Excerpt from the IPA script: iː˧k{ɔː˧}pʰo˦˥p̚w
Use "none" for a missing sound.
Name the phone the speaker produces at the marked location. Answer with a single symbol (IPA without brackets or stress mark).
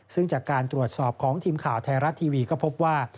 ɔː˥˩